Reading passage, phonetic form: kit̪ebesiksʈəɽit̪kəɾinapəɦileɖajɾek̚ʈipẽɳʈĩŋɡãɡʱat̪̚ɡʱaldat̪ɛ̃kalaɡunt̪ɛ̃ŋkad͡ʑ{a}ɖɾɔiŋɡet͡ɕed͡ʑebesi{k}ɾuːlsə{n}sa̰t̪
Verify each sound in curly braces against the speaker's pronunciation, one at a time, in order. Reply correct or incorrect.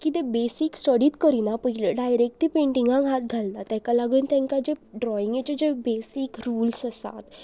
incorrect: e, correct, incorrect: none

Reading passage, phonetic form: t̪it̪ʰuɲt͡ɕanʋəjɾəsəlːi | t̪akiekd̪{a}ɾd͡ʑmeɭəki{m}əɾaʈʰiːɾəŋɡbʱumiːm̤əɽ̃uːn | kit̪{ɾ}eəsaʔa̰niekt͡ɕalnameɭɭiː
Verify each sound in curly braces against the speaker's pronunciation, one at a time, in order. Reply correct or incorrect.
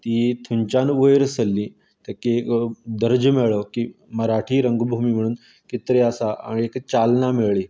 incorrect: ə, correct, correct

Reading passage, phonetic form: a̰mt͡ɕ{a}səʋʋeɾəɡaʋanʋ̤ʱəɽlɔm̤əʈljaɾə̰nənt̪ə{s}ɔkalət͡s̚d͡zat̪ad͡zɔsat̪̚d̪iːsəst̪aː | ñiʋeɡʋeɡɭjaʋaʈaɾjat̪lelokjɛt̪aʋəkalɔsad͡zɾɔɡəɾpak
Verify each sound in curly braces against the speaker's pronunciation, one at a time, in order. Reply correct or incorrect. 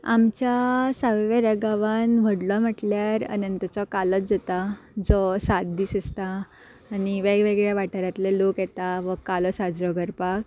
correct, incorrect: t͡s

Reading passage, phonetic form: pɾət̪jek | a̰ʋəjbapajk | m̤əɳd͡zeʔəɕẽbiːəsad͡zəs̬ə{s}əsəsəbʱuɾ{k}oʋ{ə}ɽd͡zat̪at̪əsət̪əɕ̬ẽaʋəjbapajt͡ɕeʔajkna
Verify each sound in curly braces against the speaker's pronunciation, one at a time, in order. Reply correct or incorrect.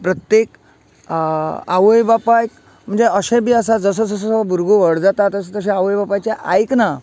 correct, incorrect: ɡ, correct

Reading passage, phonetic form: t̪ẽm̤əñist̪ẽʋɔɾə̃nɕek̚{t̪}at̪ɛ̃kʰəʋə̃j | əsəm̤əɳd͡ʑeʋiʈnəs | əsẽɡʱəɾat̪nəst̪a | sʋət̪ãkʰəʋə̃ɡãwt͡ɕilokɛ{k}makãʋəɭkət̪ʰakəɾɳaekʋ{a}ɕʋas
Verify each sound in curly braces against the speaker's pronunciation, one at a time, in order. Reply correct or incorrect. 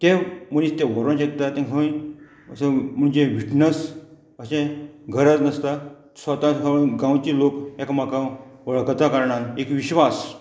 correct, correct, incorrect: i

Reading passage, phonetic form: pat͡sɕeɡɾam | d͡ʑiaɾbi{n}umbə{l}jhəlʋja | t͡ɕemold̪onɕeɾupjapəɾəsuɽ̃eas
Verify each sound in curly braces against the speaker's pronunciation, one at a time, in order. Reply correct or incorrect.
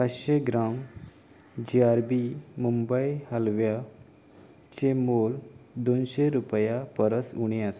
incorrect: m, incorrect: none

